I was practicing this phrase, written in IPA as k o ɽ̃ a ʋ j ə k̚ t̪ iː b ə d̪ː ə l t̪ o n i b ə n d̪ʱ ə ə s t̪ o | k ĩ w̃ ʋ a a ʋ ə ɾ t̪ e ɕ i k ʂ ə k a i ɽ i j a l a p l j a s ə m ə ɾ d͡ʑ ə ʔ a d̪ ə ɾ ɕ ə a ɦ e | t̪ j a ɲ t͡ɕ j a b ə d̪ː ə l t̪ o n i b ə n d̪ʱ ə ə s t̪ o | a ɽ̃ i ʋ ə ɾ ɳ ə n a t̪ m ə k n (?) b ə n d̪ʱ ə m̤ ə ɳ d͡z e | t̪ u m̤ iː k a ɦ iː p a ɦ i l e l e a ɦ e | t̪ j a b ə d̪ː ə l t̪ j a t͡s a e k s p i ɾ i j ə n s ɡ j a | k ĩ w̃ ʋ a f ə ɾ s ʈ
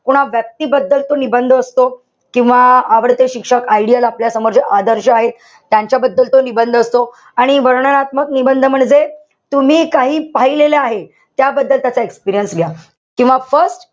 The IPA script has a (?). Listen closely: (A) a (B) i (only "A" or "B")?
B